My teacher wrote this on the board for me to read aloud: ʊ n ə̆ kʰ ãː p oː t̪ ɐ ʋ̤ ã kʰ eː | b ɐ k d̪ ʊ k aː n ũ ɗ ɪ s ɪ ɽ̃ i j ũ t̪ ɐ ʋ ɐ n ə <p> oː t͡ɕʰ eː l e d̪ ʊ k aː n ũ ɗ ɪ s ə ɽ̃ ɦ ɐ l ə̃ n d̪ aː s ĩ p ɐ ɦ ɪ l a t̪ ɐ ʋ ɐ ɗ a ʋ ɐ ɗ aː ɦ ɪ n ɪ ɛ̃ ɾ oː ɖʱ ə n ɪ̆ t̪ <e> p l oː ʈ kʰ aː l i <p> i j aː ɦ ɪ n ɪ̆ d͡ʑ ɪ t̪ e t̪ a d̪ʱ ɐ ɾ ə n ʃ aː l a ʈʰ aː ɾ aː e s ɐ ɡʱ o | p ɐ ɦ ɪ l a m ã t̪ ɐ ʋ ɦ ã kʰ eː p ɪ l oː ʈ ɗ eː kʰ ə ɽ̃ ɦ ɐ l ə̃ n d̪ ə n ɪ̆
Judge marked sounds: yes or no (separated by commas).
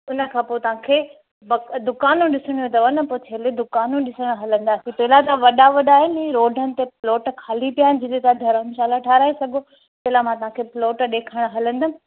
yes, yes, yes